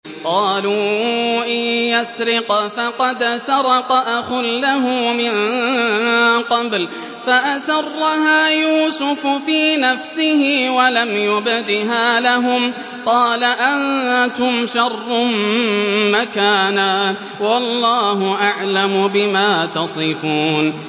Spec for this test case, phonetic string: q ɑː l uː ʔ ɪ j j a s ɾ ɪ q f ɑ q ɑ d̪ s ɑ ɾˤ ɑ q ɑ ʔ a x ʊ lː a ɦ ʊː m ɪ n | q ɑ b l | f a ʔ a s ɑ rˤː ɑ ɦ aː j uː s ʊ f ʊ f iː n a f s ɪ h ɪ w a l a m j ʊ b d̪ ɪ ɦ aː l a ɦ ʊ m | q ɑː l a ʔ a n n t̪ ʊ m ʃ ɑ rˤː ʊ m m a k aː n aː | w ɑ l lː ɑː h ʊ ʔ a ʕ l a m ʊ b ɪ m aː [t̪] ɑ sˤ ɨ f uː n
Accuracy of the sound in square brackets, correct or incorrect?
correct